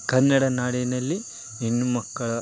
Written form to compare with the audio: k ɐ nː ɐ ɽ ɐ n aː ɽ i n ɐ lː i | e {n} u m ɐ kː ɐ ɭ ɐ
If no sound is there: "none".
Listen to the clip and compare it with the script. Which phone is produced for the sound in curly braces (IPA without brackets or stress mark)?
nː